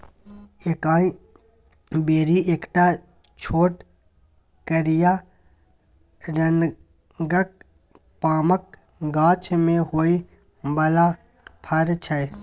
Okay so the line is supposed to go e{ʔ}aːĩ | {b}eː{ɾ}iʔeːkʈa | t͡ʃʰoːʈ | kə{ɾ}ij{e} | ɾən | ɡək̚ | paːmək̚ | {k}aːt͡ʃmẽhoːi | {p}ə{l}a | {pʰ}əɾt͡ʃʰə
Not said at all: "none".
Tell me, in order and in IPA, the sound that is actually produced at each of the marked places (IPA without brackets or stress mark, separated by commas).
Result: k, b, ɾ, ɾ, a, ɡ, b, l, pʰ